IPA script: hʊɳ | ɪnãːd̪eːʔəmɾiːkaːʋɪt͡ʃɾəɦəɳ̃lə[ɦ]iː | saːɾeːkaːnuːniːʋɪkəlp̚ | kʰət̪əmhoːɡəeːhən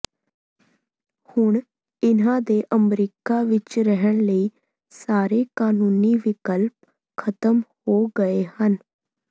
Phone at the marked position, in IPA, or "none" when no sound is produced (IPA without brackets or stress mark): none